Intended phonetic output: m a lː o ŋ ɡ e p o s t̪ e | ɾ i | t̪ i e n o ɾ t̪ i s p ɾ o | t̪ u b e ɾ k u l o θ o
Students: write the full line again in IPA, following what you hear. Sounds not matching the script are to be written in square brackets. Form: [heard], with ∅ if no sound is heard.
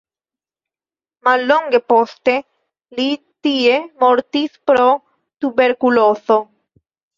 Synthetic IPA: m a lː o ŋ ɡ e p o s t̪ e | [l] i | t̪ i e [m] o ɾ t̪ i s p ɾ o | t̪ u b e ɾ k u l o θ o